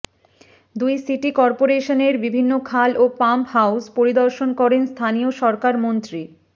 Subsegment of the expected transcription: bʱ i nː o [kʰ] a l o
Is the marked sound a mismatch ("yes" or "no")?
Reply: no